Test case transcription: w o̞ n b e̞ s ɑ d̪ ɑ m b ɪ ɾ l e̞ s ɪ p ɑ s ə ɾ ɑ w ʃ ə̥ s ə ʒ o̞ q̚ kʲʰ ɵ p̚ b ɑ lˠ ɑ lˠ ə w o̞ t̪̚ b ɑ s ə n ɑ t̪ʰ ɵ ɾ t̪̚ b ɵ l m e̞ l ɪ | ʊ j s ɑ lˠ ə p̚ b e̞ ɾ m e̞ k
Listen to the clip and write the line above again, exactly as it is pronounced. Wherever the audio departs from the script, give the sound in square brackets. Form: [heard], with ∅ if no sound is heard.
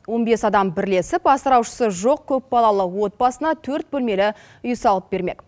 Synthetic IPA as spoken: w o̞ n b e̞ s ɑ d̪ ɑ m b ɪ ɾ l e̞ s ɪ p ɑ s ə ɾ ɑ w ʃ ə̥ s ə ʒ o̞ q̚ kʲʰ ɵ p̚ b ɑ lˠ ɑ lˠ ə w o̞ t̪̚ b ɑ s ə n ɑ t̪ʰ ɵ ɾ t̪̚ b ɵ l m e̞ l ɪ | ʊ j s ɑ lˠ ə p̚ b e̞ ɾ m e̞ k